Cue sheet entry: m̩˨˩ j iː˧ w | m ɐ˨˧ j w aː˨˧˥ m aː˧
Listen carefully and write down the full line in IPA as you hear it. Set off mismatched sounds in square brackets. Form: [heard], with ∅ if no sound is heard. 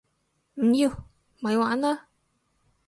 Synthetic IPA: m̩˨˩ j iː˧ w | m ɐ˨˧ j w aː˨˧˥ [n] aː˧